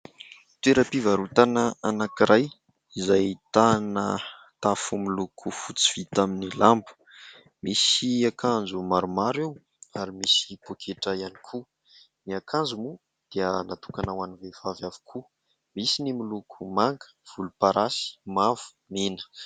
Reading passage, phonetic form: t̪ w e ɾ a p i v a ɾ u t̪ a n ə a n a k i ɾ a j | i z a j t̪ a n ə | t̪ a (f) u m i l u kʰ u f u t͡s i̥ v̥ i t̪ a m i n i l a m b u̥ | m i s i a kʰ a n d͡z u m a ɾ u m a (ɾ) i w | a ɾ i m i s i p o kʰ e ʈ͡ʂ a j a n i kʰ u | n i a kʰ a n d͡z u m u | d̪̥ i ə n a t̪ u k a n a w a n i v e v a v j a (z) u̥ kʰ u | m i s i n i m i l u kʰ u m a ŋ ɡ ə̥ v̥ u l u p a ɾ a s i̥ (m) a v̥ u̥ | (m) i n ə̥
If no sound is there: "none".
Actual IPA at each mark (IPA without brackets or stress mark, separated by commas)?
f, ɾ, v, m, m